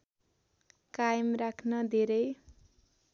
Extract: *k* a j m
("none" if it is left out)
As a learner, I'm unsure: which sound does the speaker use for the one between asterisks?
k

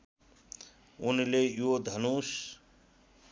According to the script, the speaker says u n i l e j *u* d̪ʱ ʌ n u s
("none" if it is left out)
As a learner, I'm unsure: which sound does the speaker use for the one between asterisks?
o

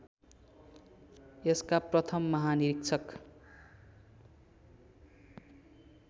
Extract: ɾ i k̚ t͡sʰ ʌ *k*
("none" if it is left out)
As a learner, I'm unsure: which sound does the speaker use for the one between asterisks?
k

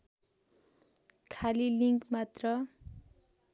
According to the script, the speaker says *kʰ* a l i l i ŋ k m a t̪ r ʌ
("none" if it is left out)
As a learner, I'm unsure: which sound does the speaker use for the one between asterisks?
kʰ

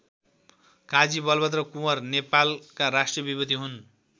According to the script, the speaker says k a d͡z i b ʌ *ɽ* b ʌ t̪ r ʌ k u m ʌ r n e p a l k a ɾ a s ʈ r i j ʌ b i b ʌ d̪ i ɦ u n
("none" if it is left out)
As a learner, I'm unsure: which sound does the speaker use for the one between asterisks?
l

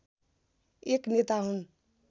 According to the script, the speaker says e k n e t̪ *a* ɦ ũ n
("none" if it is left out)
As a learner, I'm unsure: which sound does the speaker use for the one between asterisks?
a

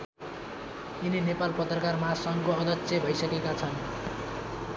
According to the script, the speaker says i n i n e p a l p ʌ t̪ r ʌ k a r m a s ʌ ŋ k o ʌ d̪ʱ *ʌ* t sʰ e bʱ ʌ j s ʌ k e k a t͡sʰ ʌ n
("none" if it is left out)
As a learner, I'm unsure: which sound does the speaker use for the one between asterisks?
ʌ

